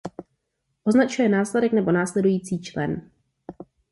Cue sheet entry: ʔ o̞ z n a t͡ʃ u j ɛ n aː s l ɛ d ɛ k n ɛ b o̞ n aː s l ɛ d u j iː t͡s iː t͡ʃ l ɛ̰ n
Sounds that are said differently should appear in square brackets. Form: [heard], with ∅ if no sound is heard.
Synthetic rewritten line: ʔ o̞ z n a t͡ʃ u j ɛ n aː s l ɛ d ɛ k n ɛ b o̞ n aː s l ɛ d u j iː t͡s iː t͡ʃ l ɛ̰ n